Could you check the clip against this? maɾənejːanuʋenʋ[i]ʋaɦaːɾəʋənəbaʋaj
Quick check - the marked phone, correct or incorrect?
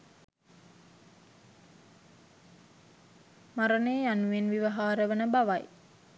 correct